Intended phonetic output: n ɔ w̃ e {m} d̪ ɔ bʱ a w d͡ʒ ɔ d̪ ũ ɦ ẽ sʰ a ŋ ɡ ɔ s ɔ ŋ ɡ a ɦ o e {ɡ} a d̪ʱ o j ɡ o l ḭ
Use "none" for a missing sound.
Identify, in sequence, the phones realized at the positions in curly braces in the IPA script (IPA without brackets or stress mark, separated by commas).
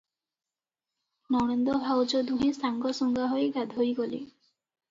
n, ɡ